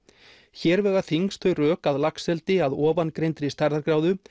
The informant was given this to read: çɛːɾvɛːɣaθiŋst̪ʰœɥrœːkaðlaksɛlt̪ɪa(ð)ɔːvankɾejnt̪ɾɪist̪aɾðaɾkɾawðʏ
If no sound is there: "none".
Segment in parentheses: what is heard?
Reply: ð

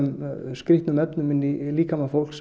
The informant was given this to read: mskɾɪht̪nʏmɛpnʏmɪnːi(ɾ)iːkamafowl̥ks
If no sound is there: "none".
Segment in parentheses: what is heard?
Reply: l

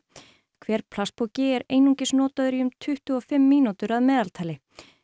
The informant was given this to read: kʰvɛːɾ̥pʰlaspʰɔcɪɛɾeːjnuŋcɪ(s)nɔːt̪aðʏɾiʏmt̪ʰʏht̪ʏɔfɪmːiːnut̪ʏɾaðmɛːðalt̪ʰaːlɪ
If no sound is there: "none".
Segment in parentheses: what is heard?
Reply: s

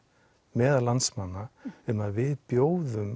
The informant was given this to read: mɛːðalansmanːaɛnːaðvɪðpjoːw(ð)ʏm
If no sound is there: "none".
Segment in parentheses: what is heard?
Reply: ð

